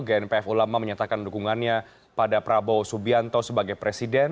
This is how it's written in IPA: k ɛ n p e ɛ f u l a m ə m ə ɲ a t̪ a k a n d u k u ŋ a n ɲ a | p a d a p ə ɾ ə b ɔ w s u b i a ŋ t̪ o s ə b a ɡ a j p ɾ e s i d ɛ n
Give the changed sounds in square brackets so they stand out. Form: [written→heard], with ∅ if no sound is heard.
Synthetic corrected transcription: [k→ɡ] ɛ n p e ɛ f u l a m [ə→a] m ə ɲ a t̪ a k a n d u k u ŋ a n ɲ a | p a d a p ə ɾ [ə→a] b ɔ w s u b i a [ŋ→n] t̪ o s ə b a ɡ a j p ɾ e s i d ɛ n